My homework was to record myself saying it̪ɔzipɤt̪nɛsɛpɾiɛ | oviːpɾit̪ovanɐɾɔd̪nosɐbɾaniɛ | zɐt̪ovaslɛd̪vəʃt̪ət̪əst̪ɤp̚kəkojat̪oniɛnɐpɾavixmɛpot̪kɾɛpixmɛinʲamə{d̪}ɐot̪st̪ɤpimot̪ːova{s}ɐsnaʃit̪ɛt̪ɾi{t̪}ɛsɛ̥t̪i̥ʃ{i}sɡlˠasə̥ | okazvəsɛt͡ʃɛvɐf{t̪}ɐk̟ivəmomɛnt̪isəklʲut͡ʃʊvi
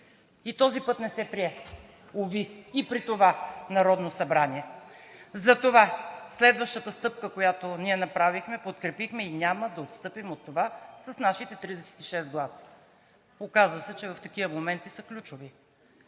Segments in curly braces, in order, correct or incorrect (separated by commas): correct, correct, incorrect, incorrect, correct